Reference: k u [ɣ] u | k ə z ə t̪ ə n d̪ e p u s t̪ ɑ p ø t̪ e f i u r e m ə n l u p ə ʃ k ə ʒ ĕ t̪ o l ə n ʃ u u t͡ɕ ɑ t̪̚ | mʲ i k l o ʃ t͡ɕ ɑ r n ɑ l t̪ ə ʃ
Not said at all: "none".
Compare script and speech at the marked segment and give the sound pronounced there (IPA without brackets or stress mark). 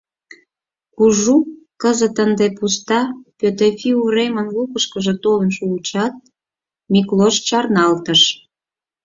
ʒ